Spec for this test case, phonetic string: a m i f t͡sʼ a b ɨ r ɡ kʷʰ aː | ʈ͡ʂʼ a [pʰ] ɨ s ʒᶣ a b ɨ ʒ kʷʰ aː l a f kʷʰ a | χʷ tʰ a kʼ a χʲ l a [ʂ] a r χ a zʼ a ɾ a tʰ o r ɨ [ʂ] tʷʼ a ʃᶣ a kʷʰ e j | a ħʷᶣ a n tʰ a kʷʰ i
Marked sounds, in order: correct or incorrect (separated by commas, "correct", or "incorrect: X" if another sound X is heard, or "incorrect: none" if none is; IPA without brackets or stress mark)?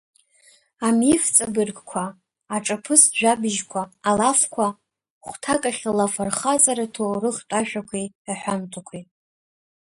correct, incorrect: f, incorrect: χ